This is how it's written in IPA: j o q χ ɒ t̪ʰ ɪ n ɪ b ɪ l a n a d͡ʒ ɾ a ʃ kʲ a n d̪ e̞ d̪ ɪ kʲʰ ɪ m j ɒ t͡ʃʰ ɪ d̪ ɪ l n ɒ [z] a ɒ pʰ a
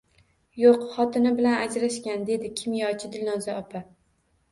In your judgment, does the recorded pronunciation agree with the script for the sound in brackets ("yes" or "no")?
yes